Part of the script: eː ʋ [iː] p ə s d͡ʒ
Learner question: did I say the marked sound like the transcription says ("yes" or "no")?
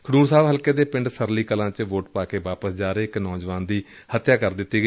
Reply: no